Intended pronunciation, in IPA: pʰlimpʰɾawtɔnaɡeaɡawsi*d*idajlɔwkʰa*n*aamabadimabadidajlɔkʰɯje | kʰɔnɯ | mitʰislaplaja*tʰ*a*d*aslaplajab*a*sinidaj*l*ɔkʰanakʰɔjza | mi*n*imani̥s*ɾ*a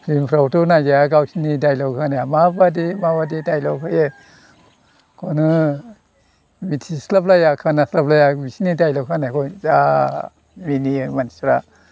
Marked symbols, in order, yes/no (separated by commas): no, yes, no, no, no, yes, yes, yes